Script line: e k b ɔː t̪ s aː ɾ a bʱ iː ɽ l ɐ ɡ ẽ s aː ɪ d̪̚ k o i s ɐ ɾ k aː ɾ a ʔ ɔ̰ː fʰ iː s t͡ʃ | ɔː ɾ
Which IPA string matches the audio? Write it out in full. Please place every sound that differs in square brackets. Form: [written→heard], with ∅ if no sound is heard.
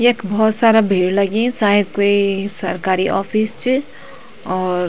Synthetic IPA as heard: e k b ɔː t̪ s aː ɾ a bʱ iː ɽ l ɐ ɡ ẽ s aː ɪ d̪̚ k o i s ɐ ɾ k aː ɾ [a→i] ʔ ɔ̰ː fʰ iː s t͡ʃ | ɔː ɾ